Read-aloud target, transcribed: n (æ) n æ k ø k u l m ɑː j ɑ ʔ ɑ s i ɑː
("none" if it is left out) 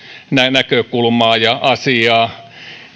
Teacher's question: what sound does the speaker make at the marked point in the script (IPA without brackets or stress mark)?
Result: æ